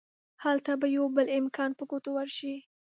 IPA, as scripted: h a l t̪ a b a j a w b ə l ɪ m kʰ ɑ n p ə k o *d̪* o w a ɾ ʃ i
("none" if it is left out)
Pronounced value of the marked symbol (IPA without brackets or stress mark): t̪